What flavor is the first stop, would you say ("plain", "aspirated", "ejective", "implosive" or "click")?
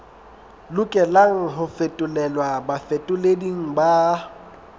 ejective